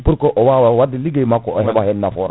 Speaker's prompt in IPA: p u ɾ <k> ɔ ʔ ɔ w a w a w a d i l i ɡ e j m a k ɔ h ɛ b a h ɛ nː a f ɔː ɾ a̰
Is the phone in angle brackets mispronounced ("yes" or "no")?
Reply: no